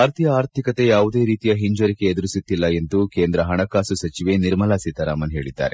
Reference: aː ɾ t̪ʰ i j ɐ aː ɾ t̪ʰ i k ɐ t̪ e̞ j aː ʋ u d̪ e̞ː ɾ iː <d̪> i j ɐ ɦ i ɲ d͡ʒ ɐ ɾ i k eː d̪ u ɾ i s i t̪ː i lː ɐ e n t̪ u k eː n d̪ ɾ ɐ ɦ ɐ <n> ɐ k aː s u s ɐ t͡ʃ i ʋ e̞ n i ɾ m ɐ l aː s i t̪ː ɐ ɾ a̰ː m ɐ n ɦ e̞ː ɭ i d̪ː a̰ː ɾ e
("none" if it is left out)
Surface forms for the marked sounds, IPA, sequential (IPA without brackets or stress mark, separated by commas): t̪, ɳ